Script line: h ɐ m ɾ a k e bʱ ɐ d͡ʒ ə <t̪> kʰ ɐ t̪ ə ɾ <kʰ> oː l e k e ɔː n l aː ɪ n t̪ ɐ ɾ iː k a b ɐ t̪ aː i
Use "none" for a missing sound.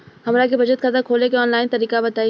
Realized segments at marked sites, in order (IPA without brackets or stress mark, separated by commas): t̪, kʰ